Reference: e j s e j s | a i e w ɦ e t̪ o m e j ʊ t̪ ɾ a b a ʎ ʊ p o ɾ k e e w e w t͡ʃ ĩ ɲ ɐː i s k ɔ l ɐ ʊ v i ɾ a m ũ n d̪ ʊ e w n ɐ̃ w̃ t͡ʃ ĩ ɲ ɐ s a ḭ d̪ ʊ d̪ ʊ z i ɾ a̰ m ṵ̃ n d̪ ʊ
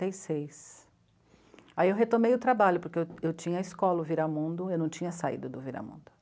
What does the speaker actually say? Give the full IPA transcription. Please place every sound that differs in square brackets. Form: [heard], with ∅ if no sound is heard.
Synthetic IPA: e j s e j s | a i e w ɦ e t̪ o m e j ʊ t̪ ɾ a b a ʎ ʊ p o ɾ k e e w e w t͡ʃ ĩ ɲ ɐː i s k ɔ l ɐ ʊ v i ɾ a m ũ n d̪ ʊ e w n ɐ̃ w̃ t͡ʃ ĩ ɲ ɐ s a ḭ d̪ ʊ d̪ ʊ [v] i ɾ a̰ m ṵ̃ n d̪ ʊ